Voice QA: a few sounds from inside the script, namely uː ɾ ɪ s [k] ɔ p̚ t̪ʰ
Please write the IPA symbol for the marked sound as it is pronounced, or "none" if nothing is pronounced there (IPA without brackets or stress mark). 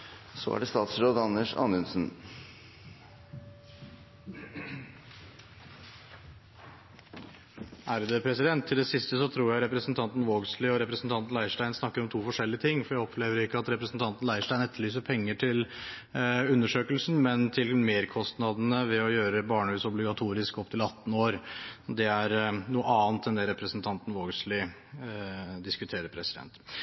k